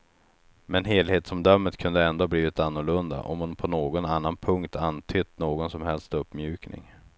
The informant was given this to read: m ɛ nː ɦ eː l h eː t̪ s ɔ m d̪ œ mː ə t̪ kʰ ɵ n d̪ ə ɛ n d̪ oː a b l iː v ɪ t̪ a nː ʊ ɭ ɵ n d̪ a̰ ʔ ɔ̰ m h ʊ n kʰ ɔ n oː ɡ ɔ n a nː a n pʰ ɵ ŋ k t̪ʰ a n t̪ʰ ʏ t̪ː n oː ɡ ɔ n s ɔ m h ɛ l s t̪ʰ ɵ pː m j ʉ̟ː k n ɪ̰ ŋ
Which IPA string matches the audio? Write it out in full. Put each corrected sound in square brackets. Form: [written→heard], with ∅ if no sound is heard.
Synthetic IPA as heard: m ɛ [nː→n] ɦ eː l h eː t̪ s ɔ m d̪ œ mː ə t̪ kʰ ɵ n d̪ ə ɛ n d̪ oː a b l iː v ɪ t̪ a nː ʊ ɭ ɵ n d̪ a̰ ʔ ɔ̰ m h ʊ n [kʰ→pʰ] ɔ n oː ɡ ɔ n a nː a n pʰ ɵ ŋ k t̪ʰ a n t̪ʰ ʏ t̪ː n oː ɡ ɔ n s ɔ m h ɛ l s [t̪ʰ→t̪] ɵ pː m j ʉ̟ː k n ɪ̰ ŋ